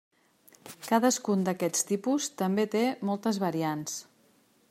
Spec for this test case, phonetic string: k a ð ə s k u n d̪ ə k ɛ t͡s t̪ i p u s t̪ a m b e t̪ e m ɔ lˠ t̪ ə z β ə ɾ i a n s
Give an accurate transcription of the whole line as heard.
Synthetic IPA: k a ð ə s k u n d̪ ə k ɛ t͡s t̪ i p u s t̪ ə m b e t̪ e m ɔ lˠ t̪ ə z β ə ɾ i a n s